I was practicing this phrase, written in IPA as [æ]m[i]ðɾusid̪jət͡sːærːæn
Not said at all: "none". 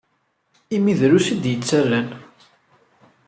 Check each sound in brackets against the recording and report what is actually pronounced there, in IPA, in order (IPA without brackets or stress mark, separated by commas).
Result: i, i